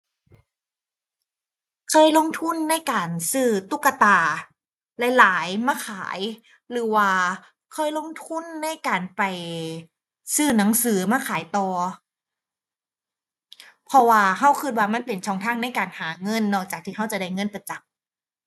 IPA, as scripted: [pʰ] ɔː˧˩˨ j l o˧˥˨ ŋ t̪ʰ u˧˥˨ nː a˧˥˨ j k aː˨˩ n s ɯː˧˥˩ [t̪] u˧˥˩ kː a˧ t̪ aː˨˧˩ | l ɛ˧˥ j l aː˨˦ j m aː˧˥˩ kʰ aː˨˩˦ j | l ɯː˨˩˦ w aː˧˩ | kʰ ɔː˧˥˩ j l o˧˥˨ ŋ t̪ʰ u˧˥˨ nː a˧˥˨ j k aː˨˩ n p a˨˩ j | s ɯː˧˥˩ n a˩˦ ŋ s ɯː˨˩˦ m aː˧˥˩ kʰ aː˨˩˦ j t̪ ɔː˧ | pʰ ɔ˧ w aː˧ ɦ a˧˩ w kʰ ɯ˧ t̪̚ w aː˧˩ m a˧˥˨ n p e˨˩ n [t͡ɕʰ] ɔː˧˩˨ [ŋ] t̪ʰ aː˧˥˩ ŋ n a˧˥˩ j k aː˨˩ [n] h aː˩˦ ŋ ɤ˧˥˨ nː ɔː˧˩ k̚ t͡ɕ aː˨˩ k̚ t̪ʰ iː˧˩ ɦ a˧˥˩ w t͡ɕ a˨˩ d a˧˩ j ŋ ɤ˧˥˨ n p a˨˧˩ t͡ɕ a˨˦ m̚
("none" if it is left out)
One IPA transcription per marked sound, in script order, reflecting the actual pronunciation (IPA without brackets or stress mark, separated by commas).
kʰ, t̪, t͡ɕʰ, ŋ, n